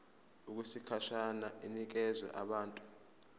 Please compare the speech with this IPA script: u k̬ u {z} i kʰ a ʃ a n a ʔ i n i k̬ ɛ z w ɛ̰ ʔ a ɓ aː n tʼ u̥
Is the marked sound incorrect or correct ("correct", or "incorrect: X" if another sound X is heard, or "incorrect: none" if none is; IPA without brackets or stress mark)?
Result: incorrect: s